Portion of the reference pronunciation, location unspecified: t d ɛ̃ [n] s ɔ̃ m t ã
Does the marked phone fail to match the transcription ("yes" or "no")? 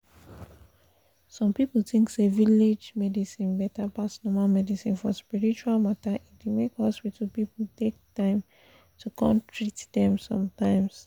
yes